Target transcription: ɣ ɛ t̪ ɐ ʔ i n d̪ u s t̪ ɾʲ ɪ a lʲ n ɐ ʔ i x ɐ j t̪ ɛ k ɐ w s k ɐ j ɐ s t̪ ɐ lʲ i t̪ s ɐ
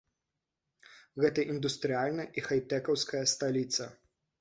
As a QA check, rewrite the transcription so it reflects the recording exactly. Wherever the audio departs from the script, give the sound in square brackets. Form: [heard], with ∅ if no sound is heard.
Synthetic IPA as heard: ɣ ɛ t̪ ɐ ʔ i n d̪ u s t̪ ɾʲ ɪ a lʲ n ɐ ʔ i x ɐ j t̪ ɛ k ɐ w s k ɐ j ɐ s t̪ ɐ lʲ i t̪ s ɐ